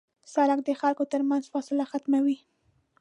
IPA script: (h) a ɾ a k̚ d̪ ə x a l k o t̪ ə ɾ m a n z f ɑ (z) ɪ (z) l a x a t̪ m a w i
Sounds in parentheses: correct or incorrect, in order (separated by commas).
incorrect, incorrect, incorrect